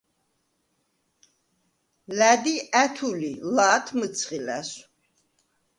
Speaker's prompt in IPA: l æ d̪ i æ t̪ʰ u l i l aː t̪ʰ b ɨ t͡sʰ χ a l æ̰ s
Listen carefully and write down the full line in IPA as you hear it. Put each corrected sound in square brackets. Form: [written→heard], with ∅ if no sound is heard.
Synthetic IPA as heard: l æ d̪ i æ t̪ʰ u l i l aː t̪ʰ [b→m] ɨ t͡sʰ χ [a→i] l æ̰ s